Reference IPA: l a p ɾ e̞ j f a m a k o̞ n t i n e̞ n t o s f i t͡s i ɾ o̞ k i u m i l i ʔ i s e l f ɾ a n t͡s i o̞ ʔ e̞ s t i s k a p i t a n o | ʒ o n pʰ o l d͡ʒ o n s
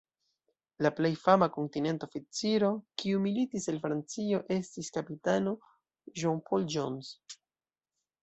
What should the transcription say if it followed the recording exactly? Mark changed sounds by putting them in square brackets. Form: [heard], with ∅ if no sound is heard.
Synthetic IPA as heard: l a p [l] e̞ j f a m a k o̞ n t i n e̞ n t o [∅] f i t͡s i ɾ o̞ k i u m i l i [t] i s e l f ɾ a n t͡s i o̞ ʔ e̞ s t i s k a p i t a n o | ʒ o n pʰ o l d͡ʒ o n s